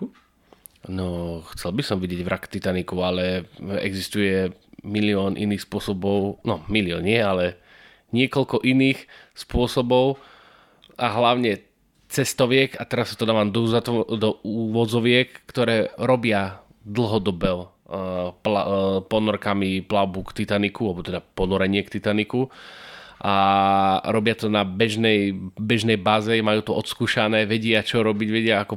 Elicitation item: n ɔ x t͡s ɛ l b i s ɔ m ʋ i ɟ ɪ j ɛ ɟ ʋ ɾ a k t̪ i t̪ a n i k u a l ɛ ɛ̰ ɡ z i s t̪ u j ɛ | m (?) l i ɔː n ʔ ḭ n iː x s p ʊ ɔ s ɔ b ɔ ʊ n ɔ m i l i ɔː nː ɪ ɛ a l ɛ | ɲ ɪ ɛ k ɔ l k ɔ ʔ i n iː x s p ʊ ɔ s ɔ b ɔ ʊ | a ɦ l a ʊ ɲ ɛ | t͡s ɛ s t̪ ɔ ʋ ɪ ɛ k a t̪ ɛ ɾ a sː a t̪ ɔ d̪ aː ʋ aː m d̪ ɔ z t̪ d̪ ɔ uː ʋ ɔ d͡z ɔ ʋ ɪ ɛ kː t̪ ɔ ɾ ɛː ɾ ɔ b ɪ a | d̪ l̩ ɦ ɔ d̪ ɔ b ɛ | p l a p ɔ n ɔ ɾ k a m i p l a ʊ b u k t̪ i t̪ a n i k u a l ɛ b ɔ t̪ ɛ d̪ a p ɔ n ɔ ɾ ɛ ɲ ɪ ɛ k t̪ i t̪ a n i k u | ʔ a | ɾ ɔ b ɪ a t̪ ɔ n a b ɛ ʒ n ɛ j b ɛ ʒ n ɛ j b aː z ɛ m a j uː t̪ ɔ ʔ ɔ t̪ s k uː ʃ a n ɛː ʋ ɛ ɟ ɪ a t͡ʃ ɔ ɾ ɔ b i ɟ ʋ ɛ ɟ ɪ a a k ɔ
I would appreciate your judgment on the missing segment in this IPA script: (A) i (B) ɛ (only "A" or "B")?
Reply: A